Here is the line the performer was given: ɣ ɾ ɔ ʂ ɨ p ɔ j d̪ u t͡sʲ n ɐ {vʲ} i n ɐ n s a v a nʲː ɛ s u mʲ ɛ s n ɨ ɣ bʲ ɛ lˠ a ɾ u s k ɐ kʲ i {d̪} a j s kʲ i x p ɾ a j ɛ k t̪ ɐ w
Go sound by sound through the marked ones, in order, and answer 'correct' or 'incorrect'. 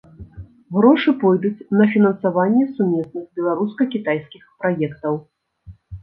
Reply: incorrect, incorrect

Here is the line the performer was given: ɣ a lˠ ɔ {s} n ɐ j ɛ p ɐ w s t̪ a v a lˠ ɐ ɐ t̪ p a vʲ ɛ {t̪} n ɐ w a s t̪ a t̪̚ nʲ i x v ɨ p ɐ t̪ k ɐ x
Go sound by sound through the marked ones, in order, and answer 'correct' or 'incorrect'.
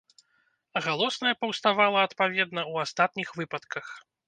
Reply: correct, incorrect

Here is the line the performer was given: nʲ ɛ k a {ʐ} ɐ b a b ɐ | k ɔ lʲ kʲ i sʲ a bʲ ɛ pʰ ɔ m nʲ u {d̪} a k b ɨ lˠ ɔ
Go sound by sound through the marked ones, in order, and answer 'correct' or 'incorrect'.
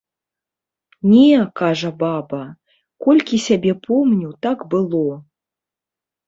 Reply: correct, incorrect

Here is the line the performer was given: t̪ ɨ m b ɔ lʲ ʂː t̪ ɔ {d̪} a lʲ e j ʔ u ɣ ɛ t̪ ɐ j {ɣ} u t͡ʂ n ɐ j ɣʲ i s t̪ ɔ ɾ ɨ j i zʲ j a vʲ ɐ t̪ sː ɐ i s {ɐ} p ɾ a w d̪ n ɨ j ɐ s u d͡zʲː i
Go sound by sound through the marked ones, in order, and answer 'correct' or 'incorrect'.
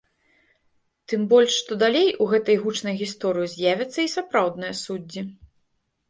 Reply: correct, correct, incorrect

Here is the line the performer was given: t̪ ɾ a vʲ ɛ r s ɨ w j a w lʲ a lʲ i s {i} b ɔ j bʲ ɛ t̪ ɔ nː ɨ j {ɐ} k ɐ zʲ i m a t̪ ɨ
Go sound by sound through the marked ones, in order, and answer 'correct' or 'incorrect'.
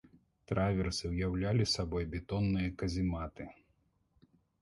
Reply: incorrect, correct

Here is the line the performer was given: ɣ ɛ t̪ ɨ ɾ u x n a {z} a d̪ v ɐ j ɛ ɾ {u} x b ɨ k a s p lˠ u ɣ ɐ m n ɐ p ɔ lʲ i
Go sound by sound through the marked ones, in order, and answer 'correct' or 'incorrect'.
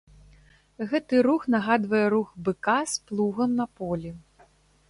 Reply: incorrect, correct

